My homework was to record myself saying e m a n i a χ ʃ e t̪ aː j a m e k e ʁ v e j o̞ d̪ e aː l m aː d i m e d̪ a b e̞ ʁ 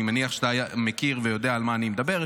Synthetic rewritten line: i m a n i a χ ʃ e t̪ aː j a m e k i ʁ v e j o̞ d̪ e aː l m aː n i m e d̪ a b e̞ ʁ